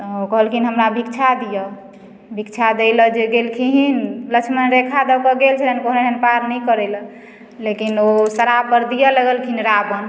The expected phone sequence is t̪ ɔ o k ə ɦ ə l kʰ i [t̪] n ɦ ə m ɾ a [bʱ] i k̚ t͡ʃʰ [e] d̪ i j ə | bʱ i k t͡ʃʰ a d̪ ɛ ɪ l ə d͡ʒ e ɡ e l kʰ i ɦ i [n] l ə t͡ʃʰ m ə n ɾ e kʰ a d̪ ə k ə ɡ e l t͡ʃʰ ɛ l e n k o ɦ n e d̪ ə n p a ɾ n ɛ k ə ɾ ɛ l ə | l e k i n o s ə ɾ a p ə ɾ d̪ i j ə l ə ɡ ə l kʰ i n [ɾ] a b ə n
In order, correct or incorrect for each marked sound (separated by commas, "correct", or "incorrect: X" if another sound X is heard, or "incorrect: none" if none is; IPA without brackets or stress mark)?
incorrect: none, correct, incorrect: a, correct, correct